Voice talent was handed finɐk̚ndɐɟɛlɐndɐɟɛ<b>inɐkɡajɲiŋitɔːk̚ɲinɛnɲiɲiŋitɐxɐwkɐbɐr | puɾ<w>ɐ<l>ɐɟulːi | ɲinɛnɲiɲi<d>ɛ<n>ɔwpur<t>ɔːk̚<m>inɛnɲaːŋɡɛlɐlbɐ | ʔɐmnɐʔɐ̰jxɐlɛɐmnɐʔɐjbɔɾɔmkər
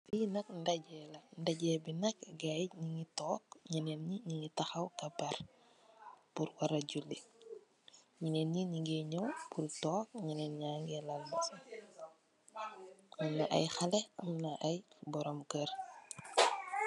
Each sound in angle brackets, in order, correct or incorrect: correct, correct, incorrect: ɾ, incorrect: ɡ, incorrect: ɲ, correct, incorrect: ɲ

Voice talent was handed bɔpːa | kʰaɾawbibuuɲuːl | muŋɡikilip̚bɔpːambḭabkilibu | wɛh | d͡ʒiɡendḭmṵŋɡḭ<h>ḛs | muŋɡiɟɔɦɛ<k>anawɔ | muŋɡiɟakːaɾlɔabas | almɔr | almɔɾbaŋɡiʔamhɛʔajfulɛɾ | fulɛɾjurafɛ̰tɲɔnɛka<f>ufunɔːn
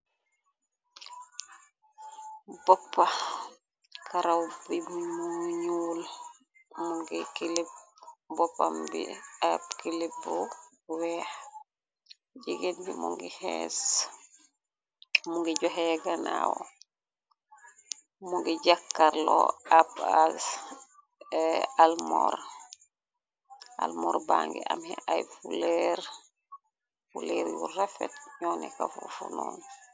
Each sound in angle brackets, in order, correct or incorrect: correct, incorrect: ɡ, correct

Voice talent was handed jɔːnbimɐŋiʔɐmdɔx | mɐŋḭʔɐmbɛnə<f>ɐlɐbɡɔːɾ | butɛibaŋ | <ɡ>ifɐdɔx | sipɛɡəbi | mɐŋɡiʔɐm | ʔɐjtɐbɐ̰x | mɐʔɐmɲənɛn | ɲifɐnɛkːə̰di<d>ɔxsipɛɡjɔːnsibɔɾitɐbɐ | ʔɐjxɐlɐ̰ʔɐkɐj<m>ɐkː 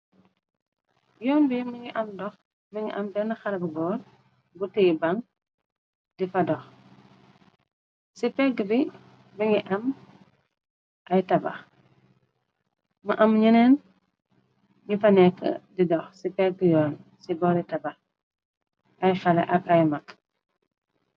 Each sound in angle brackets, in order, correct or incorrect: incorrect: x, incorrect: d, correct, correct

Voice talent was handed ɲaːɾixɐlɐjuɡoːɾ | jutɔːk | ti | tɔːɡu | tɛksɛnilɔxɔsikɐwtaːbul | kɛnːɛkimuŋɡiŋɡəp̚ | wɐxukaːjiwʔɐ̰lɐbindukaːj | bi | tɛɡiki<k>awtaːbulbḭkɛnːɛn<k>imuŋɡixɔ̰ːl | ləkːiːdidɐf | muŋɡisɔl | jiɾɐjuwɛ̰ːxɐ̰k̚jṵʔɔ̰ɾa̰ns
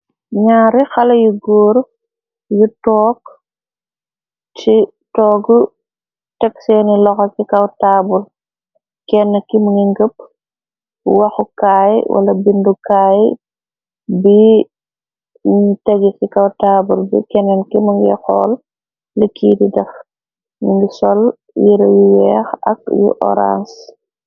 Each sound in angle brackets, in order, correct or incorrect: correct, correct

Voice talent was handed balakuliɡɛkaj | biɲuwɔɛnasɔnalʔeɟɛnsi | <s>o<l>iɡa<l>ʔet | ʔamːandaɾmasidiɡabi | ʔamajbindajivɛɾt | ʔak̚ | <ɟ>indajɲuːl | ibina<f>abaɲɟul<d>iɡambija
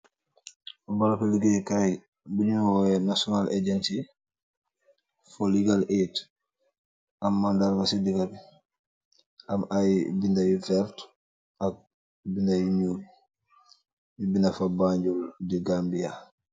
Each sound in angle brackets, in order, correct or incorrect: incorrect: f, correct, correct, incorrect: b, correct, correct

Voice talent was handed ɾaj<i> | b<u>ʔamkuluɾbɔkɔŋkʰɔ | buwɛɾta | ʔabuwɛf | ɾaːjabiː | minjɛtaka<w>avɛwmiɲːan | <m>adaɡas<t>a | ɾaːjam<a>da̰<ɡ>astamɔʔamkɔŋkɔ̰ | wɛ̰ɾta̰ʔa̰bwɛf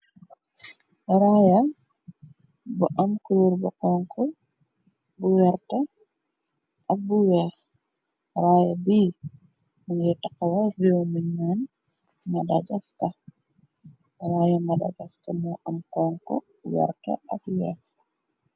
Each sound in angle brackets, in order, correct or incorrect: incorrect: a, incorrect: ɔ, correct, correct, correct, correct, correct

